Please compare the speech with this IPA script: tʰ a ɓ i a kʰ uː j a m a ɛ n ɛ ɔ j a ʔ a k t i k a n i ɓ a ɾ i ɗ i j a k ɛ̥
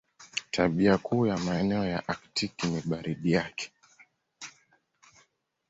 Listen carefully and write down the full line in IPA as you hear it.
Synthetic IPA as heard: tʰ a ɓ i a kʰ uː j a m a ɛ n ɛ ɔ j a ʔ a k t i k i n i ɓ a ɾ i ɗ i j a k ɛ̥